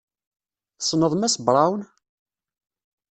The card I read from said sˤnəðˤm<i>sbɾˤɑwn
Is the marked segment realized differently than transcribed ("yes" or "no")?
yes